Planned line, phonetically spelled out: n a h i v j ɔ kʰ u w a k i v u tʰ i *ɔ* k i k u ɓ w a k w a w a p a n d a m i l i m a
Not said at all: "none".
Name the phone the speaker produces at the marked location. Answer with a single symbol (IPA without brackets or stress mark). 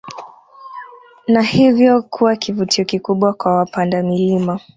ɔ